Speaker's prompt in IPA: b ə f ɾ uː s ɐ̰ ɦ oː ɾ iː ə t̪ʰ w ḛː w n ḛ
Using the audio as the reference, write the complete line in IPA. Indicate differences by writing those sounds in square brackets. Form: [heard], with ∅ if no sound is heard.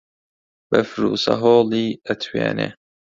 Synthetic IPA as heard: b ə f ɾ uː s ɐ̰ ɦ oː [l] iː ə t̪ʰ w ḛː [∅] n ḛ